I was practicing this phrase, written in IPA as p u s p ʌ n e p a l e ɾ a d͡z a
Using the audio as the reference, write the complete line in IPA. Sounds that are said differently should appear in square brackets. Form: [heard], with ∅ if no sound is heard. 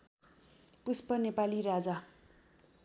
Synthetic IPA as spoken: p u s p ʌ n e p a l [i] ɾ a d͡z a

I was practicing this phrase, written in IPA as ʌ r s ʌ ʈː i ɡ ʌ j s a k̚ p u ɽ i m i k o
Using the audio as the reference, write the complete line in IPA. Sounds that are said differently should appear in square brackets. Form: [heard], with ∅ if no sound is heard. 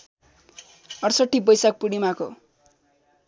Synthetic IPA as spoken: ʌ r s ʌ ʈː i [b] ʌ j s a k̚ p u ɽ i m [a] k o

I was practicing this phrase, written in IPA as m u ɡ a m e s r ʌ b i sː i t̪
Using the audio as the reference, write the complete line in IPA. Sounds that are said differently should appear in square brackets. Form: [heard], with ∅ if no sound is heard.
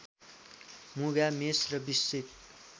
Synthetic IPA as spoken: m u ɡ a m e s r ʌ b i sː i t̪

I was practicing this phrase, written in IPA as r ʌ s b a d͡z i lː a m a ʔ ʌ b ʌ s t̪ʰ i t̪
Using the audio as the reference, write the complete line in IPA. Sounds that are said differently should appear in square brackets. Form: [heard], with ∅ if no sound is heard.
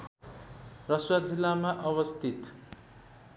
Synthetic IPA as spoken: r ʌ s [w] a d͡z i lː a m a ʔ ʌ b ʌ s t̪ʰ i t̪

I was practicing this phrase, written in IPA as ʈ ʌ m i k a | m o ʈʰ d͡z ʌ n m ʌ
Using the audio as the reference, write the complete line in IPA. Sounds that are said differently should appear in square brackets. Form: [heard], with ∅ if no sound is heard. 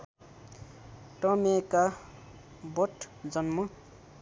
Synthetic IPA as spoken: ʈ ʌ m [e] k a | [b] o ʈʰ d͡z ʌ n m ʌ

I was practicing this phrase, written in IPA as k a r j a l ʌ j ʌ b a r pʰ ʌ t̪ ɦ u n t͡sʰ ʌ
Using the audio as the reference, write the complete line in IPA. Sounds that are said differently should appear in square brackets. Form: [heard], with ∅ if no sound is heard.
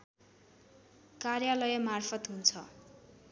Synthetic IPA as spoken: k a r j a l ʌ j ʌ [m] a r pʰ ʌ t̪ ɦ u n t͡sʰ ʌ

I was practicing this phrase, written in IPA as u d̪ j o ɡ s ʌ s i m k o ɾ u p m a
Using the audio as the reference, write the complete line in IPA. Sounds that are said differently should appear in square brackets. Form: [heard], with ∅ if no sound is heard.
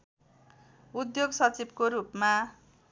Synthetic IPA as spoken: u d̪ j o ɡ s ʌ [t͡s] i [b] k o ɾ u p m a

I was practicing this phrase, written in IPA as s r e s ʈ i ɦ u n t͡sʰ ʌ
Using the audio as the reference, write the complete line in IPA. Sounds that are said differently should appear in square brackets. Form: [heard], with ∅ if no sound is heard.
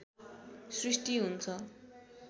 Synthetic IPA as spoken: s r [i] s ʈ i ɦ u n t͡sʰ ʌ

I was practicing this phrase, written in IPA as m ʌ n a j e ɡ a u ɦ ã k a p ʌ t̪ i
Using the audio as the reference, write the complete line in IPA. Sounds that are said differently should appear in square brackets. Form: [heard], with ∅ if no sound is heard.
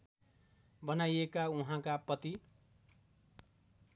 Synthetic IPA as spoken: [b] ʌ n a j e [k] a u ɦ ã k a p ʌ t̪ i

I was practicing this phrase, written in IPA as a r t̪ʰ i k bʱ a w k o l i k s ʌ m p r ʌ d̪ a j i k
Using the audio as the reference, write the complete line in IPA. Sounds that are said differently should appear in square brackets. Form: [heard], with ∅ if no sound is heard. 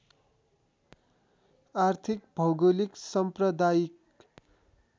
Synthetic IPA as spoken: a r t̪ʰ i k bʱ [ʌ] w [ɡ] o l i k s ʌ m p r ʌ d̪ a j i k

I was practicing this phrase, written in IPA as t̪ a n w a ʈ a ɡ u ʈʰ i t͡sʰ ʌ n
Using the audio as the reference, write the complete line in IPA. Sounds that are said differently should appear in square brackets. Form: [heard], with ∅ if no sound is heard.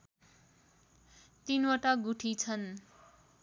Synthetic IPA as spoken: t̪ [i] n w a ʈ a ɡ u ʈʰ i t͡sʰ ʌ n

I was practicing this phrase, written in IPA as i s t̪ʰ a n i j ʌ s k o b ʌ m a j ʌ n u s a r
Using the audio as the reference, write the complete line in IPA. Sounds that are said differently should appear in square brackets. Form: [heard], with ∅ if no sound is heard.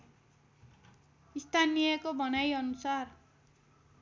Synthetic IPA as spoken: i s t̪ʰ a n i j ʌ [∅] k o b ʌ [n] a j ʌ n u s a r

